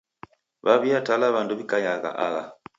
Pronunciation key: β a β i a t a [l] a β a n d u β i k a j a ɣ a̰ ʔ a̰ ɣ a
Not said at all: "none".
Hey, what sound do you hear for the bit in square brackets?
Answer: l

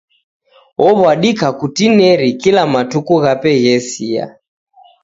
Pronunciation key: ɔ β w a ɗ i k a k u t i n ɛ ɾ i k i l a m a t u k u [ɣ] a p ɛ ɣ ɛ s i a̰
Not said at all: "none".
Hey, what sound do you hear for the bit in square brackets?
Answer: ɣ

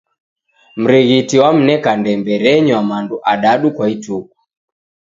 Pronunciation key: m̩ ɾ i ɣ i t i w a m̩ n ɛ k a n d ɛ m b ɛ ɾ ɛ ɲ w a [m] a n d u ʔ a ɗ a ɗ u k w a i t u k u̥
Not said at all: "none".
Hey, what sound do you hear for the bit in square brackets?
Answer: m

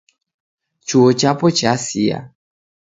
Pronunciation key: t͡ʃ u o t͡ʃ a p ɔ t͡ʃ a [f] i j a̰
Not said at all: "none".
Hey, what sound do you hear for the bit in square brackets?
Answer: s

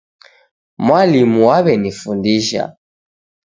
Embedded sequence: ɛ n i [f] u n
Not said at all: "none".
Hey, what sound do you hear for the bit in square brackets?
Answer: f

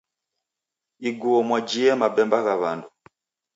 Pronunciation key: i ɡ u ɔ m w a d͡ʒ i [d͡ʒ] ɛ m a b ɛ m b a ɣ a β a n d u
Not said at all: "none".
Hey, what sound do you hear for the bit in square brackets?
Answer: none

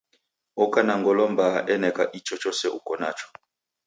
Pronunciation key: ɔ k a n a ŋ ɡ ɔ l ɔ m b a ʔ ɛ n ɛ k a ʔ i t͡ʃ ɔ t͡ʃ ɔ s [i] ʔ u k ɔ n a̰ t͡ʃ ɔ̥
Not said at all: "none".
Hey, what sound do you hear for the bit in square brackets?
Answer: ɛ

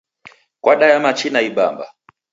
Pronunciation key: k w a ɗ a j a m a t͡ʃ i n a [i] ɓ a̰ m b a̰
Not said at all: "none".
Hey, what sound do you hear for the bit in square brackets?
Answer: i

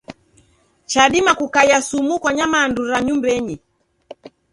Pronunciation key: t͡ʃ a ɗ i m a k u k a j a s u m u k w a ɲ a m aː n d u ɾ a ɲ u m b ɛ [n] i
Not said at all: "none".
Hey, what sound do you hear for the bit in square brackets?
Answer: ɲ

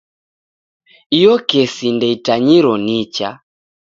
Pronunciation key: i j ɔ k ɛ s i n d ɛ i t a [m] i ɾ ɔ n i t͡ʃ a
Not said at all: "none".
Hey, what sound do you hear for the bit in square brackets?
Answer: ɲ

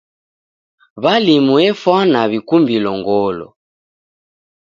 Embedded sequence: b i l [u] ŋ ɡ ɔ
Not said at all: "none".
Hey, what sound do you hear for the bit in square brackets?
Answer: ɔ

